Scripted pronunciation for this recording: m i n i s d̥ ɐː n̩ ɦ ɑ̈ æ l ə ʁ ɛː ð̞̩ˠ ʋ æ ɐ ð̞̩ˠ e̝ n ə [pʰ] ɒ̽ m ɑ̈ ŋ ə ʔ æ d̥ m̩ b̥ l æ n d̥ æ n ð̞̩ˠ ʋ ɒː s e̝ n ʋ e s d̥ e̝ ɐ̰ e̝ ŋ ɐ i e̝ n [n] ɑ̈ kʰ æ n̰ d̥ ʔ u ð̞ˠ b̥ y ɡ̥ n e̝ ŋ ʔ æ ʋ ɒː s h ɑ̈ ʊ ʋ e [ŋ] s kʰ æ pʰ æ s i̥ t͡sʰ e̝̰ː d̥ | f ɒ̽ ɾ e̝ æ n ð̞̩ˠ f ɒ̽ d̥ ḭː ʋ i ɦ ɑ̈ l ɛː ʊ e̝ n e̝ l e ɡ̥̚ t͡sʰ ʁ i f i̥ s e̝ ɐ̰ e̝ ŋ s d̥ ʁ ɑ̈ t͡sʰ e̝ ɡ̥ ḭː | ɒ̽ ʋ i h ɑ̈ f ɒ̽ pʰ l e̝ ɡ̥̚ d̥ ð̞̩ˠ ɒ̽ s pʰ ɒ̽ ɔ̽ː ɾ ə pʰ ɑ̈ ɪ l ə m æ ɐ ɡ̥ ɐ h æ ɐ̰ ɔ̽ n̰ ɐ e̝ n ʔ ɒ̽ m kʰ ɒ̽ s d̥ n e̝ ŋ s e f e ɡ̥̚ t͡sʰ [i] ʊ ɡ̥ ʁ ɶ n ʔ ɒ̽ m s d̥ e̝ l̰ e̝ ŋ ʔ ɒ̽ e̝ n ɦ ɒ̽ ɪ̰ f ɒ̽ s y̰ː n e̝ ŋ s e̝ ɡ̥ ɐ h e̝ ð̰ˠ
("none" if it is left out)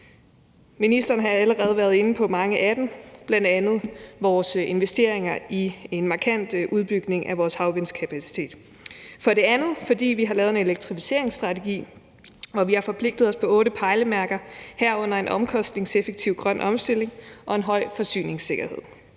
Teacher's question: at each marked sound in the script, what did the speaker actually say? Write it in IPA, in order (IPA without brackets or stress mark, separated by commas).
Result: pʰ, m, n, i